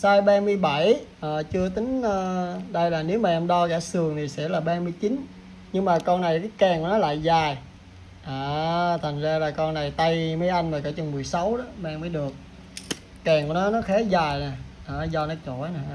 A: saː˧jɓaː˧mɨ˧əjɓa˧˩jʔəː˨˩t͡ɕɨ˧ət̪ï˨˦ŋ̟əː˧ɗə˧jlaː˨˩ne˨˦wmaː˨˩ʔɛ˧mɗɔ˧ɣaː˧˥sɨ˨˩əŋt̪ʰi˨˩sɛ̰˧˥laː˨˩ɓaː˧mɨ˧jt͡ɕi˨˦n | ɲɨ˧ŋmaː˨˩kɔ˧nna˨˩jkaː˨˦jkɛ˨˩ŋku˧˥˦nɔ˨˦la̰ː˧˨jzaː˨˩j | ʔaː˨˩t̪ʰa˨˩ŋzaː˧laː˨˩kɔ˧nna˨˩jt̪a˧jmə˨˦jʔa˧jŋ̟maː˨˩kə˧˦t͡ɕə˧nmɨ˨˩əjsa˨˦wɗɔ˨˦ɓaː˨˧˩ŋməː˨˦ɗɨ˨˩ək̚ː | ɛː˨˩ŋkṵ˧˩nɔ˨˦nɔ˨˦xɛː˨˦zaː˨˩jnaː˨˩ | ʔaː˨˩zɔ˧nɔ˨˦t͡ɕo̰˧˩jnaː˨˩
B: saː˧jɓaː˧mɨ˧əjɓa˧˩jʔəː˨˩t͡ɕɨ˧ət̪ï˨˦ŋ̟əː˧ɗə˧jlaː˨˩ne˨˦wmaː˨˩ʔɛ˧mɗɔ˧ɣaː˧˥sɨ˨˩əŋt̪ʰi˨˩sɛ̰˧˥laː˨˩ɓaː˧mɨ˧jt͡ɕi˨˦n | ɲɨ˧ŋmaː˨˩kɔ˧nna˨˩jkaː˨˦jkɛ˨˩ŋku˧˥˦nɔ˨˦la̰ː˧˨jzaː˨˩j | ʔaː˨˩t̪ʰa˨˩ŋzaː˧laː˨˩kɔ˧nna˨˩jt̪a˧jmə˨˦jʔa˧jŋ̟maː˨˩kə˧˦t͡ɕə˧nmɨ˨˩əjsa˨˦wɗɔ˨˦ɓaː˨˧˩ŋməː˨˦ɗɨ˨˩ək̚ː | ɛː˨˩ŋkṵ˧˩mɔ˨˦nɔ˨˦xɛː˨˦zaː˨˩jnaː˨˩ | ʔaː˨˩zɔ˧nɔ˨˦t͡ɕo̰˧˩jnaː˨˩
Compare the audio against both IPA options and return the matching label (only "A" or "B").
A